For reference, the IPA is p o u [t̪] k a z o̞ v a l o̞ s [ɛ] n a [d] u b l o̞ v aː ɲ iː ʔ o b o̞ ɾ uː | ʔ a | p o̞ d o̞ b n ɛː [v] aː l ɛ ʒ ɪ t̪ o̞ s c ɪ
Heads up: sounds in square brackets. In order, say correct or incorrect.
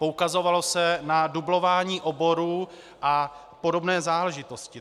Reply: incorrect: none, correct, correct, incorrect: z

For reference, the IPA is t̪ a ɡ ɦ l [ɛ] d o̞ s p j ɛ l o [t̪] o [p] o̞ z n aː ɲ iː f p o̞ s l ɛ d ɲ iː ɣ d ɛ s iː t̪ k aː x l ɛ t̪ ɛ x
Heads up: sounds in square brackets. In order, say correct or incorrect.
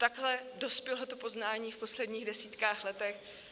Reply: correct, correct, correct

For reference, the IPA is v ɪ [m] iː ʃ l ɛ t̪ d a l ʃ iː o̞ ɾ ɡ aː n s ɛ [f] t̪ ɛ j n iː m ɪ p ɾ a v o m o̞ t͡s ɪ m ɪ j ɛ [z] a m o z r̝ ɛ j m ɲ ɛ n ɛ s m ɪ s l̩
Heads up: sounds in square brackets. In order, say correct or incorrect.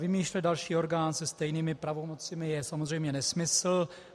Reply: correct, incorrect: s, incorrect: s

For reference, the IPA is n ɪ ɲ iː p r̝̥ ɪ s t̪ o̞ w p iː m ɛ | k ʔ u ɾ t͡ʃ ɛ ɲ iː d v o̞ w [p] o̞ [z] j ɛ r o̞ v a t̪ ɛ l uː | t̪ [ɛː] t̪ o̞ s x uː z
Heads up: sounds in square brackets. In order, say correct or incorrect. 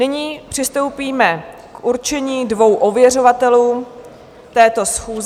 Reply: incorrect: ʔ, incorrect: v, correct

